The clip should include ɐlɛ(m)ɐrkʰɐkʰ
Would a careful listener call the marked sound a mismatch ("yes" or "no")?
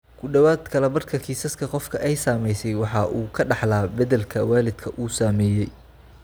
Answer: yes